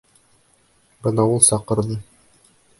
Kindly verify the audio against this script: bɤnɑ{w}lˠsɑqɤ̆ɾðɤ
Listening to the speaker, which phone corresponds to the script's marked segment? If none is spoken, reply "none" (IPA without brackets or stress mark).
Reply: u